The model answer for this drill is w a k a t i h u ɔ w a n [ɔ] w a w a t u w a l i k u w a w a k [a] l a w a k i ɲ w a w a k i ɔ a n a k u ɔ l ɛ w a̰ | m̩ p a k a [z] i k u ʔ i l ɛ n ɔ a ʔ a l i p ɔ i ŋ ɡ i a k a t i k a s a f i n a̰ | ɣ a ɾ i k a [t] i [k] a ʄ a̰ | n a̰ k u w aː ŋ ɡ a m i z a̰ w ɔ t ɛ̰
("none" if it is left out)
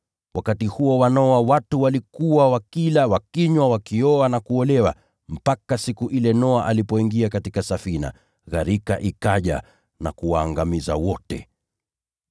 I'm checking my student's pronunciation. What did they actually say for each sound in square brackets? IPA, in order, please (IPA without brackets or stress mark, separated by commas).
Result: ɔ, i, s, ʔ, k